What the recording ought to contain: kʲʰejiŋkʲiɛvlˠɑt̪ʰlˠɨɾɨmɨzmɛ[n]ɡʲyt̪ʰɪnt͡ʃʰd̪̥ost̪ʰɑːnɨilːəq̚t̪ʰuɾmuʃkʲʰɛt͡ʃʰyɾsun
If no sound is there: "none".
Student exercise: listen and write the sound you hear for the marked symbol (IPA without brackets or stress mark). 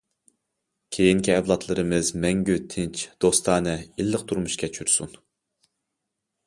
ŋ